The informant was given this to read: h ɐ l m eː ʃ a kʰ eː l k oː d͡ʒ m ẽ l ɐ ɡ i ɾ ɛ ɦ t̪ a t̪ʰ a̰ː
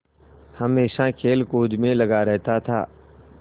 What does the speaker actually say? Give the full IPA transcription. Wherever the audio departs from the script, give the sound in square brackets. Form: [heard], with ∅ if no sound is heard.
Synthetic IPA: h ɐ [∅] m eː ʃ a kʰ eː l k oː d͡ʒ m ẽ l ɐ ɡ [a] ɾ ɛ ɦ t̪ a t̪ʰ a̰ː

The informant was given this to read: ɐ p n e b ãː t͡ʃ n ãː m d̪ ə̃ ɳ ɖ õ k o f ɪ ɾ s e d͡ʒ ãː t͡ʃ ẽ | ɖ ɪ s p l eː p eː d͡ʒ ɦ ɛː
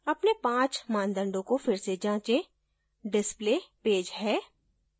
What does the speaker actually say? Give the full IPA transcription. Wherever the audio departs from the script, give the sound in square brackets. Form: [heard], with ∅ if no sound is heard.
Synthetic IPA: ɐ p n e [p] ãː t͡ʃ [m] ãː [n] d̪ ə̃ ɳ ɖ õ k o f ɪ ɾ s e d͡ʒ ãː t͡ʃ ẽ | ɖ ɪ s p l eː p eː d͡ʒ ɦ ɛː

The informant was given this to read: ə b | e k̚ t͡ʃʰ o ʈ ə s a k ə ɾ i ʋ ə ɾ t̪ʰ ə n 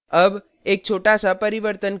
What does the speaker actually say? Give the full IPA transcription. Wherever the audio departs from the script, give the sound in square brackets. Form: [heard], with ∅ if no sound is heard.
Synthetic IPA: ə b | e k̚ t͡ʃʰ o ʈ [a] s a [p] ə ɾ i ʋ ə ɾ [t̪] ə n

